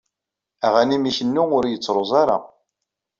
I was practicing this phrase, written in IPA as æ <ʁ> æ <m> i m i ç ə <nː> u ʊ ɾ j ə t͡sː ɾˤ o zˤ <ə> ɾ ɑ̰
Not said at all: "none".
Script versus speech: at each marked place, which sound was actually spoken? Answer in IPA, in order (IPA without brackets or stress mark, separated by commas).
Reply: ʁ, n, nː, ɑ